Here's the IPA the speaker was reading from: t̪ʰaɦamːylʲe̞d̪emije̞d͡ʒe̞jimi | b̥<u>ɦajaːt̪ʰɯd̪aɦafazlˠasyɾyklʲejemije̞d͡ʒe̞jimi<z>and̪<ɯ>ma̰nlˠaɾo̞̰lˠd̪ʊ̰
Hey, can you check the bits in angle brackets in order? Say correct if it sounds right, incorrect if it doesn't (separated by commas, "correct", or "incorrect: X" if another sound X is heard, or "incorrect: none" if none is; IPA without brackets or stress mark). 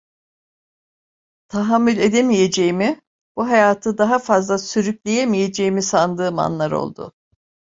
correct, incorrect: s, incorrect: ɯː